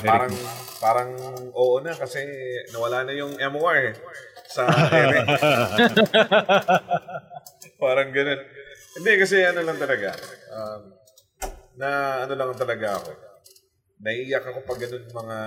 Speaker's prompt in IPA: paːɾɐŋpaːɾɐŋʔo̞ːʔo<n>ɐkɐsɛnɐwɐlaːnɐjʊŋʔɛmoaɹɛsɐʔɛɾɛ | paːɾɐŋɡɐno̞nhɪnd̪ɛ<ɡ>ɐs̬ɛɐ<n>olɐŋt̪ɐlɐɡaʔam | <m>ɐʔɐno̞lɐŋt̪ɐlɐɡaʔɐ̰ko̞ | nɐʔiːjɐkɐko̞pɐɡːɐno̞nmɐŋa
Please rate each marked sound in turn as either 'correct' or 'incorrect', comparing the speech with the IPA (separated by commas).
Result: correct, incorrect, correct, incorrect